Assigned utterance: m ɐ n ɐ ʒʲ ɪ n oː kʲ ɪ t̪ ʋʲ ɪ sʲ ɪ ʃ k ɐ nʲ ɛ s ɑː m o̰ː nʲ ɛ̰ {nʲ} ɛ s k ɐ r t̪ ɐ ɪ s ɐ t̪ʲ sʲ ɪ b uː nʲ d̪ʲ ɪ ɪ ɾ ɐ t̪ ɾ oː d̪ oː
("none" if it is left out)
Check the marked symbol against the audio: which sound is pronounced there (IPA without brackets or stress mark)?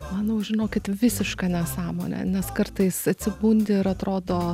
nʲ